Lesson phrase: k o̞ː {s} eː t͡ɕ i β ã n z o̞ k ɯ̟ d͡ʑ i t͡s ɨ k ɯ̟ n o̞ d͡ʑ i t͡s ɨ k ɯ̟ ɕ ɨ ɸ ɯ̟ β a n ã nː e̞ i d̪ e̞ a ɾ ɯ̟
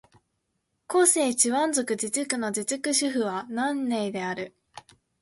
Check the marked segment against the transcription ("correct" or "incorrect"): correct